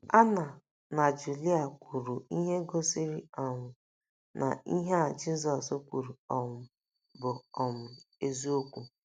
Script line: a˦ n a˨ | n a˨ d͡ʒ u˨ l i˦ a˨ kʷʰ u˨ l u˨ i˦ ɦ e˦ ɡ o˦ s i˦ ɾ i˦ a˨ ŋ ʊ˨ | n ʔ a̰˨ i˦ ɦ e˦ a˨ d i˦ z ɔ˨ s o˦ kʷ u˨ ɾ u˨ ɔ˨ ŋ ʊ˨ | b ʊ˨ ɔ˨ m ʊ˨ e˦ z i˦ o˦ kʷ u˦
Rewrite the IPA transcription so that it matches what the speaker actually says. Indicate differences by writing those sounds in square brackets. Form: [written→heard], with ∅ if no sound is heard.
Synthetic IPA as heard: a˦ n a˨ | n a˨ d͡ʒ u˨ l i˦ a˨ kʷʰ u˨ [l→ɾ] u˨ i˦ ɦ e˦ ɡ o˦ s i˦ ɾ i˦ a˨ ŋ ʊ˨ | n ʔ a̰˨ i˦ ɦ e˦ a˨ [d→d͡ʒ] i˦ z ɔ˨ s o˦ kʷ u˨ ɾ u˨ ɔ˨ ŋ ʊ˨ | b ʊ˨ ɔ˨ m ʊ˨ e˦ z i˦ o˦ kʷ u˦